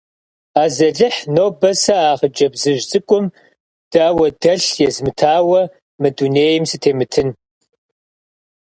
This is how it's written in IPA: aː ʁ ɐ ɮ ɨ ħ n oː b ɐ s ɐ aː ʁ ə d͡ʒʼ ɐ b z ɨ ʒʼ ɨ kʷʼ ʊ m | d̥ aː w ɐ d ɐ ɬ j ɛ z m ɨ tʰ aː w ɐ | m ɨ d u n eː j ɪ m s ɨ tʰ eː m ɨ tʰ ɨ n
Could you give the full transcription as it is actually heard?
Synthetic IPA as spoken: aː z ɐ ɮ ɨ ħ n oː b ɐ s ɐ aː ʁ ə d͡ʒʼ ɐ b z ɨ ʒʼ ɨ kʷʼ ʊ m | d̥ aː w ɐ d ɐ ɬ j ɛ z m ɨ tʰ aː w ɐ | m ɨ d u n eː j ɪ m s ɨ tʰ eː m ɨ tʰ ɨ n